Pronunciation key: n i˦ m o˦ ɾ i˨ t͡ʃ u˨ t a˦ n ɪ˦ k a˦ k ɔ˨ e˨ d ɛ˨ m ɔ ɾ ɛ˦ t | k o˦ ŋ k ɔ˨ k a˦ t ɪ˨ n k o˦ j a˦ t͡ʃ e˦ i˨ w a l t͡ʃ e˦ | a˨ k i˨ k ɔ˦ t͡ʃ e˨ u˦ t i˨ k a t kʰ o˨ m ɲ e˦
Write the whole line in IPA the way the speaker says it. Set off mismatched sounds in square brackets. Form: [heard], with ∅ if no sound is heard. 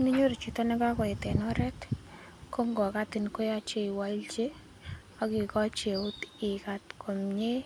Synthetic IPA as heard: n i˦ [ɲ] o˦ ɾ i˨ t͡ʃ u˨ t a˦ n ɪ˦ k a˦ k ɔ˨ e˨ [t] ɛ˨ [n] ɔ ɾ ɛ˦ t | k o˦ ŋ [ɡ] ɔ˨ k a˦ t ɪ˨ n k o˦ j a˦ t͡ʃ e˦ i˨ w a l t͡ʃ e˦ | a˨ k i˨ k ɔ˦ t͡ʃ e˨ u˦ t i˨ k a t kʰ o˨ m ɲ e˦